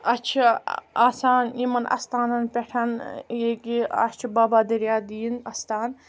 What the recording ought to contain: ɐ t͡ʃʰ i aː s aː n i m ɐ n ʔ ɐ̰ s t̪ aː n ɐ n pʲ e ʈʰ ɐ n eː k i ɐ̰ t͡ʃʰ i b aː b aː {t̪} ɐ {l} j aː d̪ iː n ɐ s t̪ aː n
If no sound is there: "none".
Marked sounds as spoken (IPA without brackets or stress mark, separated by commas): d̪, ɾ